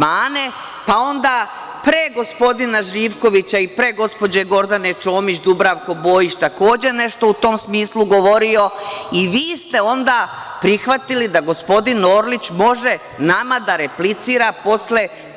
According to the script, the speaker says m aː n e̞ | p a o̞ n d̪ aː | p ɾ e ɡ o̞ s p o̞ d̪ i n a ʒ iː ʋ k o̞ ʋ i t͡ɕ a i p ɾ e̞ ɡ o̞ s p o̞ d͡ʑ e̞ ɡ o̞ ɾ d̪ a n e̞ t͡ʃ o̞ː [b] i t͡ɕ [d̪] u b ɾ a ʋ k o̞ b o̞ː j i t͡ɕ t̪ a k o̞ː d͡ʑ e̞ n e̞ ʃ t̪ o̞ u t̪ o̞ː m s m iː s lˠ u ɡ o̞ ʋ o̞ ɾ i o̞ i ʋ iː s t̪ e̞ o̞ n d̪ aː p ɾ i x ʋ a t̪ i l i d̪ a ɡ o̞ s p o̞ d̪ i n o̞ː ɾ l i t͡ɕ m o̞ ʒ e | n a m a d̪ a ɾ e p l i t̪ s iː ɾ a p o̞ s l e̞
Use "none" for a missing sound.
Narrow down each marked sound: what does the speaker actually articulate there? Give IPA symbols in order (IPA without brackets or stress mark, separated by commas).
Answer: m, d̪